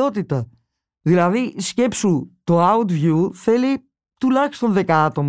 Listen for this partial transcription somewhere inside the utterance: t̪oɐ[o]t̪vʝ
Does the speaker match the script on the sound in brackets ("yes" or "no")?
no